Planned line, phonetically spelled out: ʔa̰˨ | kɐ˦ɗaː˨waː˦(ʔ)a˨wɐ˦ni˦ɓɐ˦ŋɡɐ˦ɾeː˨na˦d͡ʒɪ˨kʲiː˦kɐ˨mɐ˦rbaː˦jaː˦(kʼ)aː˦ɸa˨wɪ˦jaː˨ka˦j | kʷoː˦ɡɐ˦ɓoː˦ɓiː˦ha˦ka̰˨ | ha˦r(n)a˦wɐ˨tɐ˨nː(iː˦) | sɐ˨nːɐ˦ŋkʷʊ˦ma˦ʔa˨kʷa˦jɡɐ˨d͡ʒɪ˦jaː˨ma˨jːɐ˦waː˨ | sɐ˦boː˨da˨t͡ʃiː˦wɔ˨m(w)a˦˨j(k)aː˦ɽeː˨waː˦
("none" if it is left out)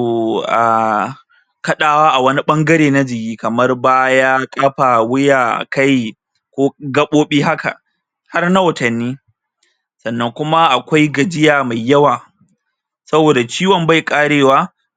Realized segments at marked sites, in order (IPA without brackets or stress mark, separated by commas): ʔ, kʼ, n, iː˦, b, kʼ